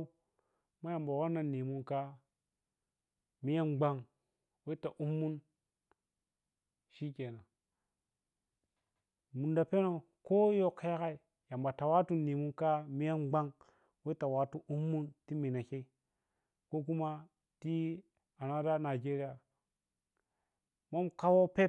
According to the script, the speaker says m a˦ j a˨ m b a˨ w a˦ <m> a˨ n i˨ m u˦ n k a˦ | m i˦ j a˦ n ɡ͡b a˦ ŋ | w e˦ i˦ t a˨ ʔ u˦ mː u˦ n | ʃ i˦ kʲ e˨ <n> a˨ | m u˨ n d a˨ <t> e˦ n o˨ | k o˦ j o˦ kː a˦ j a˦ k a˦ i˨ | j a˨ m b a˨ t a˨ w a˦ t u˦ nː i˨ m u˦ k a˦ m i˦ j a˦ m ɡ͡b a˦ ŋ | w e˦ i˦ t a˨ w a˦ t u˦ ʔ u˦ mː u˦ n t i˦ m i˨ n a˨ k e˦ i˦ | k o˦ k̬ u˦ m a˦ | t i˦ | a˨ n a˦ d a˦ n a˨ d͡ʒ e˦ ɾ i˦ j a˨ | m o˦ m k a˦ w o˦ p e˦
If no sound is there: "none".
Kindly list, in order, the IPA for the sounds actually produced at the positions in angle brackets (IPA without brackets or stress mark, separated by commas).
n, n, p